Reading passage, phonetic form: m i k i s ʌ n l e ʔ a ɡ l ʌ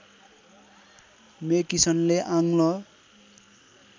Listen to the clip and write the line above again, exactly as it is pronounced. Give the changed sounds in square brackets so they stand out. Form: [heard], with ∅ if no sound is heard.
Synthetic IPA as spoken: m [e] k i s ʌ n l e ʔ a [ŋ] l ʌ